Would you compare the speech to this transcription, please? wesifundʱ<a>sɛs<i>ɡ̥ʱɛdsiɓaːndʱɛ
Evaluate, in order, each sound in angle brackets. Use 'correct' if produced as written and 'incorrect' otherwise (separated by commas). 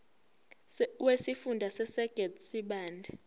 correct, incorrect